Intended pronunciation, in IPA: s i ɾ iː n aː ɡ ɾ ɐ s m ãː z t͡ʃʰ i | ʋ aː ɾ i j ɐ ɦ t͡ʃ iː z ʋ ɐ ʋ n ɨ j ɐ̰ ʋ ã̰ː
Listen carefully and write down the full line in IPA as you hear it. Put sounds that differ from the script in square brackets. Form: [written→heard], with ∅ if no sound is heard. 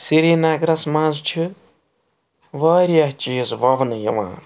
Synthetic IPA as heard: s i ɾ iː n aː ɡ ɾ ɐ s m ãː z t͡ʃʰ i | ʋ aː ɾ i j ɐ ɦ t͡ʃ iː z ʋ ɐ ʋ n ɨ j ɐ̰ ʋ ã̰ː